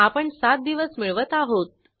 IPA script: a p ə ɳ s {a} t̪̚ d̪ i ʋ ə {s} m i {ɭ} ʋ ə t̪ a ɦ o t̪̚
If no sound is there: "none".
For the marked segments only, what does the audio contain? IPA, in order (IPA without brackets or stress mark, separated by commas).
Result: a, s, ɭ